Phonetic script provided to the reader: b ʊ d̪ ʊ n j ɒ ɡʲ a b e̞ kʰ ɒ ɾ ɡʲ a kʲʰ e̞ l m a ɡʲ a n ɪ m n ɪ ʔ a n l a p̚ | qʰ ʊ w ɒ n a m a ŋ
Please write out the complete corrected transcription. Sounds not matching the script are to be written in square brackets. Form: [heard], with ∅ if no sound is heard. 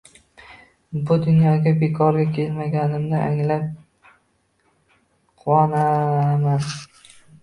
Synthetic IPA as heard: b ʊ d̪ ʊ n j ɒ ɡʲ a b e̞ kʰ ɒ ɾ ɡʲ a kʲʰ e̞ l m a ɡʲ a n ɪ m n ɪ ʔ a [ŋ] l a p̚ | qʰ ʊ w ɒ n a m a [n]

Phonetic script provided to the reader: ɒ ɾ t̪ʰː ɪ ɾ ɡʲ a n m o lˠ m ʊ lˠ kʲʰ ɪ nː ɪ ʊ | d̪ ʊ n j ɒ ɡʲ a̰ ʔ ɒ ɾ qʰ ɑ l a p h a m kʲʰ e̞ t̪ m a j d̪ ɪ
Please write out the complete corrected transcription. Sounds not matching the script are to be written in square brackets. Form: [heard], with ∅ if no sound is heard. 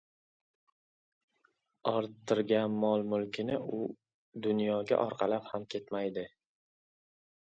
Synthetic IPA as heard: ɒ ɾ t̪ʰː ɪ ɾ ɡʲ a n m [ɒ] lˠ m ʊ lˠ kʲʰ ɪ [n] ɪ ʊ | d̪ ʊ n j ɒ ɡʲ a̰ ʔ ɒ ɾ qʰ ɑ l a p h a m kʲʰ e̞ t̪ m a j d̪ ɪ

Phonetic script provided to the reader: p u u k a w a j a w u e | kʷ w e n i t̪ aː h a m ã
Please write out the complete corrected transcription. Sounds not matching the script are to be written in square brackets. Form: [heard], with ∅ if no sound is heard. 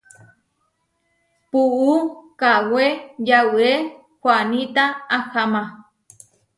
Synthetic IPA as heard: p u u k a w [e] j a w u e | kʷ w [a] n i t̪ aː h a m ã

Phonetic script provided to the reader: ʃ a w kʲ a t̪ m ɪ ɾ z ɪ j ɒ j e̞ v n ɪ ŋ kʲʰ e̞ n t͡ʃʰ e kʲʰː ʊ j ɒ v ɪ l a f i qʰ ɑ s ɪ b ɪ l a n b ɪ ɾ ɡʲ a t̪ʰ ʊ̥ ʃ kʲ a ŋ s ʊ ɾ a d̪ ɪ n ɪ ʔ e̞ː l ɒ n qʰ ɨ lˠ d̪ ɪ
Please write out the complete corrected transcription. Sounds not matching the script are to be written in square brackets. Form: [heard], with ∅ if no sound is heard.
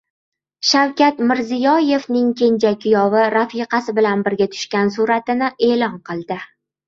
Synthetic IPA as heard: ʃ a w kʲ a t̪ m ɪ ɾ z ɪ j ɒ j e̞ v n ɪ ŋ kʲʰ e̞ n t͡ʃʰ [a] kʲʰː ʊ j ɒ v ɪ [ɾ] a f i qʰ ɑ s ɪ b ɪ l a n b ɪ ɾ ɡʲ a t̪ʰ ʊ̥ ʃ kʲ a [n] s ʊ ɾ a [t̪] ɪ n ɪ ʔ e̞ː l ɒ n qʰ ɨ lˠ d̪ ɪ

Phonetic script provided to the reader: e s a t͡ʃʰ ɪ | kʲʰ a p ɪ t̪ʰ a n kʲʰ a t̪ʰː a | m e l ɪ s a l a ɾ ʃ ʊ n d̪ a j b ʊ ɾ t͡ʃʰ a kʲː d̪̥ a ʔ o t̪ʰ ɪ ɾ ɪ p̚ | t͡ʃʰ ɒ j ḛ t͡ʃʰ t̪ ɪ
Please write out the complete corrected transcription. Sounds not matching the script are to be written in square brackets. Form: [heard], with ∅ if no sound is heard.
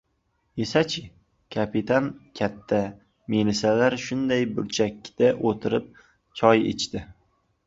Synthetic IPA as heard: e s a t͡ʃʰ ɪ | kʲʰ a p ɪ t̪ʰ a n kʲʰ a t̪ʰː a | m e l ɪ s a l a ɾ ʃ ʊ n d̪ a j b ʊ ɾ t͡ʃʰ a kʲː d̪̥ a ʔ o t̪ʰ ɪ ɾ ɪ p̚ | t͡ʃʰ ɒ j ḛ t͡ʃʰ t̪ ɪ

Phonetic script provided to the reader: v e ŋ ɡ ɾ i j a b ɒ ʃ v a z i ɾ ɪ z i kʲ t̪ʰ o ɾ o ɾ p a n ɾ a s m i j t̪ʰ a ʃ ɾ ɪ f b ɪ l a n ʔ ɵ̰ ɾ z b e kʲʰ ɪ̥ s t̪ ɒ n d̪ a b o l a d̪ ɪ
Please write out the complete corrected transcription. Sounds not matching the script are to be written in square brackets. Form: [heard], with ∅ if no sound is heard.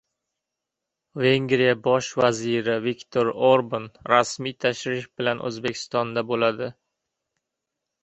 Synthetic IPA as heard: v e ŋ ɡ ɾ i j a b ɒ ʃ v a z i ɾ ɪ [v] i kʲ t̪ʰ o ɾ o ɾ [b] a n ɾ a s m i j t̪ʰ a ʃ ɾ ɪ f b ɪ l a n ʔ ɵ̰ [∅] z b e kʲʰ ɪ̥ s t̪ ɒ n d̪ a b o l a d̪ ɪ

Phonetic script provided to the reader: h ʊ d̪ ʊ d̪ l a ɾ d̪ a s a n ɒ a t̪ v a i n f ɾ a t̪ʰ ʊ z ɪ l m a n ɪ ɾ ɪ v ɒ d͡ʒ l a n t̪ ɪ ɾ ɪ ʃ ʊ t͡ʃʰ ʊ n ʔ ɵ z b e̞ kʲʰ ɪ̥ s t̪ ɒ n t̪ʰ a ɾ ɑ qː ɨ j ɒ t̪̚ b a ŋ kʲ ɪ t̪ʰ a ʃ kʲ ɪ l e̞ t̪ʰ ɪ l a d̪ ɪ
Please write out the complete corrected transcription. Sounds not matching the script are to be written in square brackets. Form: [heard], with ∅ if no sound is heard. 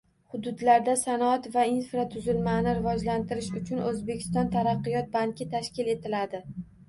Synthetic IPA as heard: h ʊ d̪ ʊ d̪ l a ɾ d̪ a s a n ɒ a t̪ v a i n f ɾ a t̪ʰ ʊ z ɪ l m a n ɪ ɾ ɪ v ɒ d͡ʒ l a n t̪ ɪ ɾ ɪ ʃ ʊ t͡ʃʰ ʊ n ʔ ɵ z b e̞ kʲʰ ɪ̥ s t̪ ɒ n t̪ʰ a ɾ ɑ qː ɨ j ɒ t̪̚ b a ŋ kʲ ɪ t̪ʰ a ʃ kʲ ɪ l e̞ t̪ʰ ɪ l a d̪ ɪ

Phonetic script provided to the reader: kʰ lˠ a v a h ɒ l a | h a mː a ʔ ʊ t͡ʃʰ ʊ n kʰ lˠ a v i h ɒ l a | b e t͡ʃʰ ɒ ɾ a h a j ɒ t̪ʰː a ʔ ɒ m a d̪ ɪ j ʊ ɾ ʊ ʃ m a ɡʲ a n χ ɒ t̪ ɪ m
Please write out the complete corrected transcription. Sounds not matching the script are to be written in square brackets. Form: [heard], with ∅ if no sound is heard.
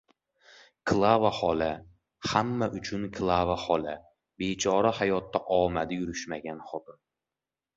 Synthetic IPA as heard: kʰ lˠ a v a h ɒ l a | h a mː a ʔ ʊ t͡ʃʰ ʊ n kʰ lˠ a v [a] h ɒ l a | b e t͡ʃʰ ɒ ɾ a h a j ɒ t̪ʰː a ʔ ɒ m a d̪ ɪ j ʊ ɾ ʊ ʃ m a ɡʲ a n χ ɒ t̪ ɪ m

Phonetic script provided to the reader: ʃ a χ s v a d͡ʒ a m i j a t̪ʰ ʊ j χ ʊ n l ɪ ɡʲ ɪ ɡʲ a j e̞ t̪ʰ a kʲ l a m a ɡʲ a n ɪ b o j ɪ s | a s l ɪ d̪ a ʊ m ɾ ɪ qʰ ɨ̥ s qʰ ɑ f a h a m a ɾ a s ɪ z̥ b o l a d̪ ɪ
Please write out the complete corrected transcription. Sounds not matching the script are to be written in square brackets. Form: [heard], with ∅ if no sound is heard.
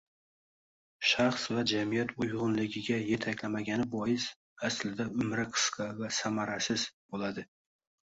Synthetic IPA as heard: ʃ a χ s v a d͡ʒ a m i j a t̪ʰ ʊ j [ʁ] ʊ n l ɪ ɡʲ ɪ ɡʲ a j e̞ t̪ʰ a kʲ l a m a ɡʲ a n ɪ b [ɒ] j ɪ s | a s l ɪ d̪ a ʊ m ɾ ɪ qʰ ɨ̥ s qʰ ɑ [v] a [s] a m a ɾ a s ɪ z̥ b o l a d̪ ɪ

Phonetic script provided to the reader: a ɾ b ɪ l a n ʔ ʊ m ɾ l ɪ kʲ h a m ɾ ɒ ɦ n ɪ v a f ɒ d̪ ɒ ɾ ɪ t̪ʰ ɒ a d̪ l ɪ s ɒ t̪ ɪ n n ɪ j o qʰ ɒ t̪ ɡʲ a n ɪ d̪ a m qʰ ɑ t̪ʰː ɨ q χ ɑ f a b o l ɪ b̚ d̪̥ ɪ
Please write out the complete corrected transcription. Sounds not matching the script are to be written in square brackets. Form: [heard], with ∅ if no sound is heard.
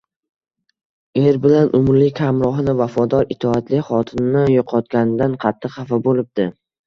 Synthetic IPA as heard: [e] ɾ b ɪ l a n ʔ ʊ m ɾ l ɪ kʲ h a m ɾ ɒ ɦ n ɪ v a f ɒ d̪ ɒ ɾ ɪ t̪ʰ ɒ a [t̪] l ɪ [χ] ɒ [t̪ʰ] ɪ n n ɪ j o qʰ ɒ t̪ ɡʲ a n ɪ d̪ a [n] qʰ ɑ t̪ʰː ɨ q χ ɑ f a b o l ɪ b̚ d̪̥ ɪ

